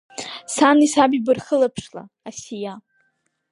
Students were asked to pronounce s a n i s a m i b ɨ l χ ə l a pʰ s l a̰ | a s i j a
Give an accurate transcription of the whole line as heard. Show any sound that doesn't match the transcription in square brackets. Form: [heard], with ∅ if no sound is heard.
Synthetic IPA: s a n i s a [b] i b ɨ [r] χ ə l a pʰ [ʂ] l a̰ | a s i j a